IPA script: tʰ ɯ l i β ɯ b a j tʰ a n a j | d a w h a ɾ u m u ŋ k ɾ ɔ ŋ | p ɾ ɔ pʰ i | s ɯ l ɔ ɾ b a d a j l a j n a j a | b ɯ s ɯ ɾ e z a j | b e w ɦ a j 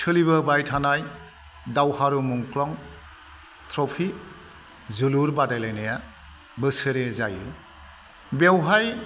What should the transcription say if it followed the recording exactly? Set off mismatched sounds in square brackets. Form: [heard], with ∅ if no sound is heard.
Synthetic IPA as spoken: tʰ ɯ l i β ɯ b a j tʰ a n a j | d a w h a ɾ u m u ŋ k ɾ ɔ ŋ | [t] ɾ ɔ pʰ i | [z] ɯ l [u] ɾ b a d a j l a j n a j a | b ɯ s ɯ ɾ e z a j | b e w ɦ a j

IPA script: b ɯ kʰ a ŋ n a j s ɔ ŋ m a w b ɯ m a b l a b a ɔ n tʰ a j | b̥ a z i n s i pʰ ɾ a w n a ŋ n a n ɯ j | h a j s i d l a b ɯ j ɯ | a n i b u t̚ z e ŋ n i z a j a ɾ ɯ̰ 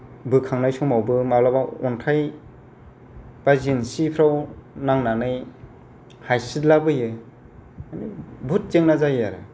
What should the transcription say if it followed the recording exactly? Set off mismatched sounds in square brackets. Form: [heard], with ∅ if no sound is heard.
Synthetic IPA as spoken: b ɯ kʰ a ŋ n a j s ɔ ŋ m a w b ɯ m a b l a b a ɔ n tʰ a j | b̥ a z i n s i pʰ ɾ a w n a ŋ n a n ɯ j | h a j s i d l a b ɯ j ɯ | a n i b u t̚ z e ŋ n [a] z a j a ɾ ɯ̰

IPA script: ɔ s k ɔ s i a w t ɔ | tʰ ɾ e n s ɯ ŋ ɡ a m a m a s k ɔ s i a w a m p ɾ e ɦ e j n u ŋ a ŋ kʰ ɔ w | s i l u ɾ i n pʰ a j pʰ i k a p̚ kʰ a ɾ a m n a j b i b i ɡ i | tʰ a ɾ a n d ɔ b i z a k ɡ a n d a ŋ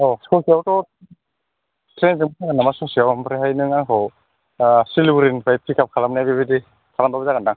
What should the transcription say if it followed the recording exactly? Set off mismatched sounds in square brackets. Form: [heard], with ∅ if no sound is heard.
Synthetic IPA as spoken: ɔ s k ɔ s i a w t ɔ | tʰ ɾ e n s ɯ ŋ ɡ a [n] a m a s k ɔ s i a w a m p ɾ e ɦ [a] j n [ɯ] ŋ a ŋ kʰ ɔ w | s i l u ɾ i n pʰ a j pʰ i k a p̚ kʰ a [l] a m n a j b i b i [d] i | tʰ a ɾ a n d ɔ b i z a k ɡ a n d a ŋ

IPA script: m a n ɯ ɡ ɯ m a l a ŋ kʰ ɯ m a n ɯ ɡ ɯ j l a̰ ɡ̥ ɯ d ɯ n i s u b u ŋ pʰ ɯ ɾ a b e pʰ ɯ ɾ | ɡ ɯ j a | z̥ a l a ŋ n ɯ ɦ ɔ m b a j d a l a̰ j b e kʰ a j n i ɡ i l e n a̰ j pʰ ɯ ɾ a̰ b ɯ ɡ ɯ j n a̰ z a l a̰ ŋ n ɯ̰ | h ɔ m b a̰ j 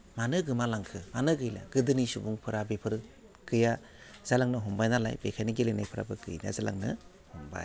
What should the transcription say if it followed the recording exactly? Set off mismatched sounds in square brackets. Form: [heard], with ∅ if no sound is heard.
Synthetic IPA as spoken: m a n ɯ ɡ ɯ m a l a ŋ kʰ ɯ m a n ɯ ɡ ɯ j l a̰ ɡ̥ ɯ d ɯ n i s u b u ŋ pʰ ɯ ɾ a b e pʰ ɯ ɾ | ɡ ɯ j a | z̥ a l a ŋ n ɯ ɦ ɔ m b a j [n] a l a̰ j b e kʰ a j n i ɡ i l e n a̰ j pʰ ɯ ɾ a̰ b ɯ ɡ ɯ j n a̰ z a l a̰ ŋ n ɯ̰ | h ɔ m b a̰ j

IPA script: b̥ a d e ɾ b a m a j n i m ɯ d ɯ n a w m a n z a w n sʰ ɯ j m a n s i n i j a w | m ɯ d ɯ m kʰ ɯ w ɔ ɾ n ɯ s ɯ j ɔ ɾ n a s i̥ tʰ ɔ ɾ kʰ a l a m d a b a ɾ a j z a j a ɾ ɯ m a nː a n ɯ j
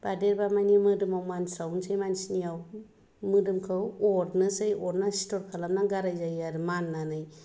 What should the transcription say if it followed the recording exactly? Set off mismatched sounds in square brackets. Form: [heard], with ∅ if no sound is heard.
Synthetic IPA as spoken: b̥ a d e ɾ b a m a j n i m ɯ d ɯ [m] a w m a n [s] a w n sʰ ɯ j m a n s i n i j a w | m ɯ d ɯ m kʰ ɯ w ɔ ɾ n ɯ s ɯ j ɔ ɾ n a s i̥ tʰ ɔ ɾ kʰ a l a m [n] a [ɡ] a ɾ a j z a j a ɾ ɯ m a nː a n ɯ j

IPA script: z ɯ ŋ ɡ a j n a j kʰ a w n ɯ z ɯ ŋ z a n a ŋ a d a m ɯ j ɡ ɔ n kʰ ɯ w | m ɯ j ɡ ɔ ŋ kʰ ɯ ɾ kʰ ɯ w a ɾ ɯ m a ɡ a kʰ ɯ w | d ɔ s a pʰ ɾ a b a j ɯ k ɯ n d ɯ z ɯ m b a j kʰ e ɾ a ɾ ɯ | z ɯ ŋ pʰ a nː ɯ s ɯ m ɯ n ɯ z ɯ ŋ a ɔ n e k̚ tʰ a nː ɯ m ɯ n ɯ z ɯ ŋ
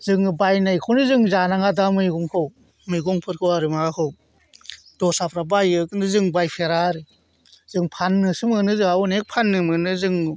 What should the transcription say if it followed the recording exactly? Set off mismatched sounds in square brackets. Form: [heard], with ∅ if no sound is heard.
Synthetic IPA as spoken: z ɯ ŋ [b] a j n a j kʰ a w n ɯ z ɯ ŋ z a n a ŋ a d a m ɯ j ɡ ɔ [ŋ] kʰ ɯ w | m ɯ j ɡ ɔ ŋ [pʰ] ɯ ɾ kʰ ɯ w a ɾ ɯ m a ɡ a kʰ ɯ w | d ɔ s a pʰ ɾ a b a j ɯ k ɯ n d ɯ z ɯ [ŋ] b a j [pʰ] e ɾ a ɾ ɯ | z ɯ ŋ pʰ a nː ɯ s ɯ m ɯ n ɯ z ɯ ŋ a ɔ n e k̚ [pʰ] a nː ɯ m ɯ n ɯ z ɯ ŋ

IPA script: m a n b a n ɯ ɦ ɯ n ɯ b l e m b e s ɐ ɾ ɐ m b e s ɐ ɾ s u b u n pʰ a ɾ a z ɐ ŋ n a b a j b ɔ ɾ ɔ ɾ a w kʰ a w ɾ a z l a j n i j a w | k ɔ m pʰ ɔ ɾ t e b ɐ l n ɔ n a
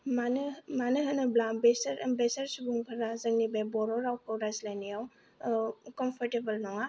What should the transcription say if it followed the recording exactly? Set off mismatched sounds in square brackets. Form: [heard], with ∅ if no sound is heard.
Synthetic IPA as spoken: m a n [m] a n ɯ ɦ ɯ n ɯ b l [a] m b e s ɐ ɾ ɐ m b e s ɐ ɾ s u b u [ŋ] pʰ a ɾ a z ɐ ŋ n [i] b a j b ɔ ɾ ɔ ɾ a w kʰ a w ɾ a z l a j n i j a w | k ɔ m pʰ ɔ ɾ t e b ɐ l n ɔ [ŋ] a

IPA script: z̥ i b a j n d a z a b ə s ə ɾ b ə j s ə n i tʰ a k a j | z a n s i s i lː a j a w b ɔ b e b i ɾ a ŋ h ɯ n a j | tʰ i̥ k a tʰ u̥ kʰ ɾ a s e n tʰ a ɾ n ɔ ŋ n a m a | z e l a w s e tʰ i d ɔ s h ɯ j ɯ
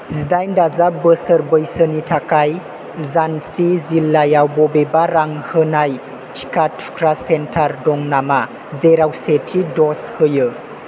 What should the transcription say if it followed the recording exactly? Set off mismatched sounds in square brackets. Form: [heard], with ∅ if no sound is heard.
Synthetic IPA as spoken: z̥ i [d] a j n d a z a b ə s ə ɾ b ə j s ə n i tʰ a k a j | z a n s i [z] i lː a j a w b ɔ b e b [a] ɾ a ŋ h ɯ n a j | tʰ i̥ k a tʰ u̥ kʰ ɾ a s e n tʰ a ɾ [d] ɔ ŋ n a m a | z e [ɾ] a w s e tʰ i d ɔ s h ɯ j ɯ

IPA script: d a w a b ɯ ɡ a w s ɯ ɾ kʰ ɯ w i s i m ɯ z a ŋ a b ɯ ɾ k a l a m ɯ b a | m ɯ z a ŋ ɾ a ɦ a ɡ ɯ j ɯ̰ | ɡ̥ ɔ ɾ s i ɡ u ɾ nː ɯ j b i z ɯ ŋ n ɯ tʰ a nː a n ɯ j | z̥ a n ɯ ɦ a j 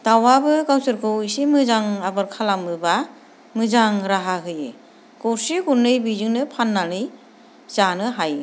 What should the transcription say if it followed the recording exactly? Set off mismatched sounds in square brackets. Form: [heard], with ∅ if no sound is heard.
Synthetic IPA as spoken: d a w a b ɯ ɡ a w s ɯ ɾ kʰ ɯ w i s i m ɯ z a ŋ a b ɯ ɾ [kʰ] a l a m ɯ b a | m ɯ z a ŋ ɾ a ɦ a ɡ ɯ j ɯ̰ | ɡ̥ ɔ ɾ s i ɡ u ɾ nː ɯ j b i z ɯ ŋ n ɯ [pʰ] a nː a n ɯ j | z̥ a n ɯ ɦ a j

